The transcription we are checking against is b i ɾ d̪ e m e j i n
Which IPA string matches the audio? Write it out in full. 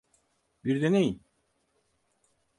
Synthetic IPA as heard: b i ɾ d̪ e n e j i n